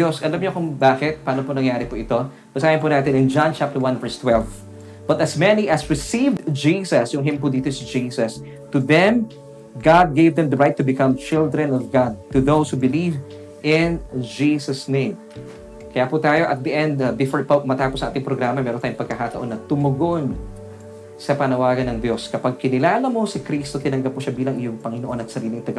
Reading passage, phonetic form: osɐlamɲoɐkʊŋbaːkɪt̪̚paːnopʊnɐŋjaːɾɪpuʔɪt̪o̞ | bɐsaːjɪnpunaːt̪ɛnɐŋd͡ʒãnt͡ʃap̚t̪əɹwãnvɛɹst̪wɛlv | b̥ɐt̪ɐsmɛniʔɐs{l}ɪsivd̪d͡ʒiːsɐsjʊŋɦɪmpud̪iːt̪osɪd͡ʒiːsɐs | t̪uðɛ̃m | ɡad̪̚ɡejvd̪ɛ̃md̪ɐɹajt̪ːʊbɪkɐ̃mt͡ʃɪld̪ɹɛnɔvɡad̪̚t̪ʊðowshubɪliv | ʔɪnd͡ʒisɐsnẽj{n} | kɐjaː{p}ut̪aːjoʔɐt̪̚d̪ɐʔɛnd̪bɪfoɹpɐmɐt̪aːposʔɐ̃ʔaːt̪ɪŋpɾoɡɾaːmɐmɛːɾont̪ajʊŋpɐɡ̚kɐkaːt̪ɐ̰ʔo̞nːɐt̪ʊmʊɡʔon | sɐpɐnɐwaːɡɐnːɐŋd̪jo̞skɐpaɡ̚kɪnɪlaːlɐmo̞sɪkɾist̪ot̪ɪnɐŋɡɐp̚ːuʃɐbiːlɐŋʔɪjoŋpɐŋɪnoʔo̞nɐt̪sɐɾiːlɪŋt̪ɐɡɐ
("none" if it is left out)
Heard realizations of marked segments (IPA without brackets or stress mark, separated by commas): ɹ, m, p